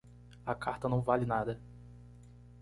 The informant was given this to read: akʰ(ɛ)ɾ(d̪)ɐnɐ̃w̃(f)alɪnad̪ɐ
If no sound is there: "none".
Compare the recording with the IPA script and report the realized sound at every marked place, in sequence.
a, t̪, v

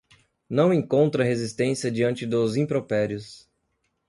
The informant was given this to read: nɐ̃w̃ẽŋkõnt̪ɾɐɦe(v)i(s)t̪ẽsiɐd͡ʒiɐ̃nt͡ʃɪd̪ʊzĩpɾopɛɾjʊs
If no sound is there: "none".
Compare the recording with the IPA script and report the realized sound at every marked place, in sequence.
z, s

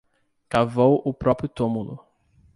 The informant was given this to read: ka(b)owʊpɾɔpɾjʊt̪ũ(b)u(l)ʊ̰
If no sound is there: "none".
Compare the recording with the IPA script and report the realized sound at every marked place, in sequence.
v, m, l

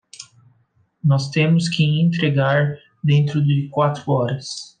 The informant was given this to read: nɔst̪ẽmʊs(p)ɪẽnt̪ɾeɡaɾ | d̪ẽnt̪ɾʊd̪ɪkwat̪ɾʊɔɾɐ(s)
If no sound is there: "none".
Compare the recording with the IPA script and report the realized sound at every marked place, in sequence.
k, s

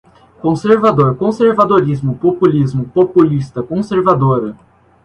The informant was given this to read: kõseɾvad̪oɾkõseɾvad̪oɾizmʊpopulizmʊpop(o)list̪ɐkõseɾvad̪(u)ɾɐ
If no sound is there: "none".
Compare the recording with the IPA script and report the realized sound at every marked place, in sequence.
u, o

